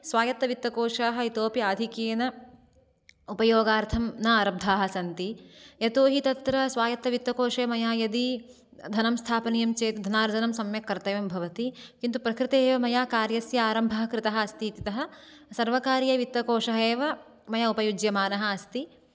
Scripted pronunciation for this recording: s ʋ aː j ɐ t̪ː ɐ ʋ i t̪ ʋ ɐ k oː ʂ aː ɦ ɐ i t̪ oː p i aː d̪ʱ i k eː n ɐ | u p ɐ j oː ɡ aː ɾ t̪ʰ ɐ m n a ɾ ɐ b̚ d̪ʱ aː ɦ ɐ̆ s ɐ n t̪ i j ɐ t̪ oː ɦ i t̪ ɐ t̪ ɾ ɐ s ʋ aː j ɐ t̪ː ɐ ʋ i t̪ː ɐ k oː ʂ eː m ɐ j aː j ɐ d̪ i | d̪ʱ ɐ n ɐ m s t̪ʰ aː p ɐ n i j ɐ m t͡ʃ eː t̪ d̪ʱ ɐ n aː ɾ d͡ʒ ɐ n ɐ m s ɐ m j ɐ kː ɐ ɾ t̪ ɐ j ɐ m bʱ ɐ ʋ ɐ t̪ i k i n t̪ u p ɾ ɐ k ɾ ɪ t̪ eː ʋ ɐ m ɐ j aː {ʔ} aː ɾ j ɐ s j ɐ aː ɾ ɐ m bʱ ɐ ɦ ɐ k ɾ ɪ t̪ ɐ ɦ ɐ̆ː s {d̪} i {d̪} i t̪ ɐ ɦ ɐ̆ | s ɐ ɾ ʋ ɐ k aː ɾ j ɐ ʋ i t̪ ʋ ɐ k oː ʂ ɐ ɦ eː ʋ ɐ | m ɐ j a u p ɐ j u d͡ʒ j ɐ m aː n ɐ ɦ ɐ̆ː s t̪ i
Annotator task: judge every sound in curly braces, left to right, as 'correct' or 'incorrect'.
incorrect: k, incorrect: t̪, incorrect: t̪

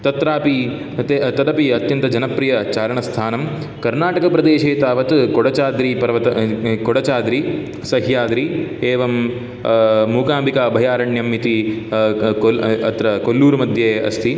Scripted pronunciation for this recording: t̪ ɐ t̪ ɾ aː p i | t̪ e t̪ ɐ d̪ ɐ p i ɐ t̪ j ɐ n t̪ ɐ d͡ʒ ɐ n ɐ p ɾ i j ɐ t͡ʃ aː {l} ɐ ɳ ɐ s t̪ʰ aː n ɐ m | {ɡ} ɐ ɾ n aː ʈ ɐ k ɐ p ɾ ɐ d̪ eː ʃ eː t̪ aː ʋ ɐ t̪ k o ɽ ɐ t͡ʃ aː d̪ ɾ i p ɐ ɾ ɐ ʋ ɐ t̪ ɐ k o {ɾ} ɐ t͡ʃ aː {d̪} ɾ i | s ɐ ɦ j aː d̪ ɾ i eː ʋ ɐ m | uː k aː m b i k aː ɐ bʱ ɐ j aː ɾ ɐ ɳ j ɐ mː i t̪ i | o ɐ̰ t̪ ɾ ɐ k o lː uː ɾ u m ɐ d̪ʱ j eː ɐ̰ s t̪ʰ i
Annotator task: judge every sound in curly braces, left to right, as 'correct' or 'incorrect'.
incorrect: ɾ, incorrect: k, incorrect: ɽ, correct

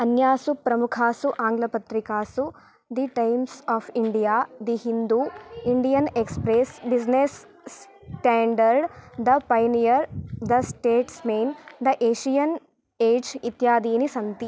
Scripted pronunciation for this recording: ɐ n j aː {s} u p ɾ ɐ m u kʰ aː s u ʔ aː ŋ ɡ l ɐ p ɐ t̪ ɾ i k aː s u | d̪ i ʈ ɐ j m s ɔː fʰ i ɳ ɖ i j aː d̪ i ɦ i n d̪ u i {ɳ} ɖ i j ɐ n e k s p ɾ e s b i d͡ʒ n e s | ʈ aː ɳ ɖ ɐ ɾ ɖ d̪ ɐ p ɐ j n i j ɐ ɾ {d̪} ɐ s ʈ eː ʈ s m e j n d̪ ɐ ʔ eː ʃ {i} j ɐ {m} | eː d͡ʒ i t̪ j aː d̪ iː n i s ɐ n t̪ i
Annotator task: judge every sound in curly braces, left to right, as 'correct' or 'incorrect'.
correct, correct, correct, correct, incorrect: n

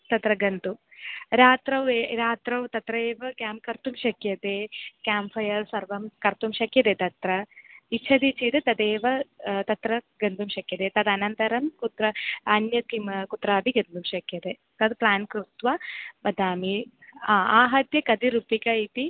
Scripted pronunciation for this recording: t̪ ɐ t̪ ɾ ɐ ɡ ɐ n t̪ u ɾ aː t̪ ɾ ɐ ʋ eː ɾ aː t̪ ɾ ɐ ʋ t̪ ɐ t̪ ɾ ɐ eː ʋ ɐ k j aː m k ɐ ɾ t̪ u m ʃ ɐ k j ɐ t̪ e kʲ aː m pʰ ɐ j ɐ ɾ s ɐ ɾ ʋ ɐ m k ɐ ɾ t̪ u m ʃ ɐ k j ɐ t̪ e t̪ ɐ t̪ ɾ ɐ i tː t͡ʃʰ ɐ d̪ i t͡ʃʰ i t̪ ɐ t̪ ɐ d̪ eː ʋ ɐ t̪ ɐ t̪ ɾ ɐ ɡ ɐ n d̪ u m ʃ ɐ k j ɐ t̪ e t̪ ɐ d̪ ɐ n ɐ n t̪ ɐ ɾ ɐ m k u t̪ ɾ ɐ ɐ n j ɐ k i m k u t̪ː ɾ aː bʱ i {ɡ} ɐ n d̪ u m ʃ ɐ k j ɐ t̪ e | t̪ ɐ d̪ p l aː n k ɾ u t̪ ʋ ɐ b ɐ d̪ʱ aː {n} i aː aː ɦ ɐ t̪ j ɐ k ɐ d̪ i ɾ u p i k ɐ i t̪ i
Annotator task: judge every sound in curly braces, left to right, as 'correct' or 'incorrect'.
correct, incorrect: m

